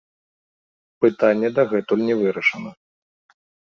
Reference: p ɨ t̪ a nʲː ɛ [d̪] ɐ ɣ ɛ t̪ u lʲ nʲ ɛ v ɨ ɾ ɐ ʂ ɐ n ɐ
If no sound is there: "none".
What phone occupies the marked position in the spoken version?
d̪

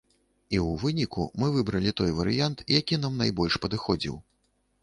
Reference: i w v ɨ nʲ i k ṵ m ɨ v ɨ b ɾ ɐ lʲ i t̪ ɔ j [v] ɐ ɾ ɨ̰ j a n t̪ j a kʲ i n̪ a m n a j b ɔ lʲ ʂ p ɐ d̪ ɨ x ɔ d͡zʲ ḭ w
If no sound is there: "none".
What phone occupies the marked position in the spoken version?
v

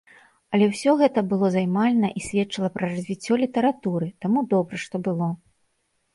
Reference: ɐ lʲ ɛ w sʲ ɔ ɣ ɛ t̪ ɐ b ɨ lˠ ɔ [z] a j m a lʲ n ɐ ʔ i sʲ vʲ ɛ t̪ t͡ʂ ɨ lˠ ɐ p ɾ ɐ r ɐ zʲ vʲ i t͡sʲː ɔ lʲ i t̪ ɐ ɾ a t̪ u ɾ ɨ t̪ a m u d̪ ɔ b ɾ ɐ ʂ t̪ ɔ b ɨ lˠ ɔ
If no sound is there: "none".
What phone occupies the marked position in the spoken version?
z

